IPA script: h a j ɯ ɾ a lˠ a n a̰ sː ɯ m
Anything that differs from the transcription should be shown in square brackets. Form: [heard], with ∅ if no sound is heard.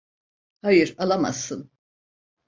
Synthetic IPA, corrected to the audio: h a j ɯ ɾ a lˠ a [m] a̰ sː ɯ [n]